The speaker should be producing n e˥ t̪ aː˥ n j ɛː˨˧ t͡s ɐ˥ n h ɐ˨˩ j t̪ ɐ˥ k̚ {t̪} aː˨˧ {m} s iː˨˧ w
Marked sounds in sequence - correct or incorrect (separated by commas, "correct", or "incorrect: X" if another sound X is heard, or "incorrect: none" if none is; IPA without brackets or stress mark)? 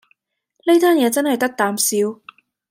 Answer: correct, correct